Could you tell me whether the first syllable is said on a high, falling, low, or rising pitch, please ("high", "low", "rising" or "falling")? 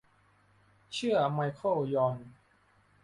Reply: falling